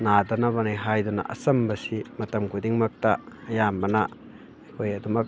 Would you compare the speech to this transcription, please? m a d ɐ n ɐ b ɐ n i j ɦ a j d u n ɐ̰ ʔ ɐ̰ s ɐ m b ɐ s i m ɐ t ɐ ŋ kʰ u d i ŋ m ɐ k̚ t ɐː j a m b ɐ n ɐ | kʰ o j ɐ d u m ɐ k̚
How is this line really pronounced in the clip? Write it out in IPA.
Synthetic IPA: n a d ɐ n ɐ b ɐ n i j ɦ a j d u n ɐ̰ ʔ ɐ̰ s ɐ m b ɐ s i m ɐ t ɐ m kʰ u d i ŋ m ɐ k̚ t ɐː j a m b ɐ n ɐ | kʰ o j ɐ d u m ɐ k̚